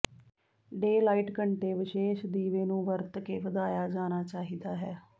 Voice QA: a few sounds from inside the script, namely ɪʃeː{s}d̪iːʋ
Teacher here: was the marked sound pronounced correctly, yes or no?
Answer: no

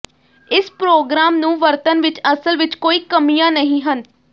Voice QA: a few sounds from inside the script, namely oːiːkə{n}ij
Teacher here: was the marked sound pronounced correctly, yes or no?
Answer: no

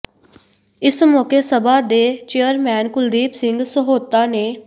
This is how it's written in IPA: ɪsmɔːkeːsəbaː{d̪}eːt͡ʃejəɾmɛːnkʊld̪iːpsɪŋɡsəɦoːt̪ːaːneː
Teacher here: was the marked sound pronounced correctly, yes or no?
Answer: yes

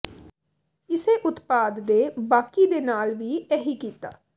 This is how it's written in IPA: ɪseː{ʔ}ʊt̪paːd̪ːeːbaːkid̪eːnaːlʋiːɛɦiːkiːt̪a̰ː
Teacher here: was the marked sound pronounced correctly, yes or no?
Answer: yes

